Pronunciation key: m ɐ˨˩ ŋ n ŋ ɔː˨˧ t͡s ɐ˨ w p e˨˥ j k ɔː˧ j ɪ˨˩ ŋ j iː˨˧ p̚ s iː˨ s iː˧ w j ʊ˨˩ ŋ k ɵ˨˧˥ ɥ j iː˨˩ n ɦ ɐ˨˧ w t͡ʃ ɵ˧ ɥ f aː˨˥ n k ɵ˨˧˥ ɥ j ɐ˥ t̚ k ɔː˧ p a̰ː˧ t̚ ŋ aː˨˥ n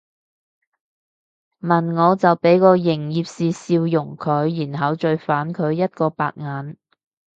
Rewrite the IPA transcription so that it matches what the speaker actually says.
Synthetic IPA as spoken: m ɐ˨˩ n ŋ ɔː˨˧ t͡s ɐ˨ w p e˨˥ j k ɔː˧ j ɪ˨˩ ŋ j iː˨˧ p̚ s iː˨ s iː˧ w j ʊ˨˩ ŋ kʰ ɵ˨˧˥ ɥ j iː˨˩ n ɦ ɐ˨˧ w t͡ʃ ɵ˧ ɥ f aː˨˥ n kʰ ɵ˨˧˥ ɥ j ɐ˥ t̚ k ɔː˧ p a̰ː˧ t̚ ŋ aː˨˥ n